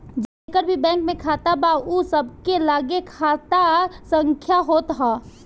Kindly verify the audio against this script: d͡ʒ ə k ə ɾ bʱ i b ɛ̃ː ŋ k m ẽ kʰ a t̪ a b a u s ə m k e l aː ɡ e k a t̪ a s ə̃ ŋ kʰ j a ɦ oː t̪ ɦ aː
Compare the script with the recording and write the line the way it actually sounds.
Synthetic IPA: d͡ʒ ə k ə ɾ bʱ i b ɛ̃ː ŋ k m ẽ kʰ a t̪ a b a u s ə b k e l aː ɡ e kʰ a t̪ a s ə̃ ŋ kʰ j a ɦ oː t̪ ɦ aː